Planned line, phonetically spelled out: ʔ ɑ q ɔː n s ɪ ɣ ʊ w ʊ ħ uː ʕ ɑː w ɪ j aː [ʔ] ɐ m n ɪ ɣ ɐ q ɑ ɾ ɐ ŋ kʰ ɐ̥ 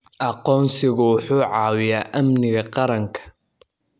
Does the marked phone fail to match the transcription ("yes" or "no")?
no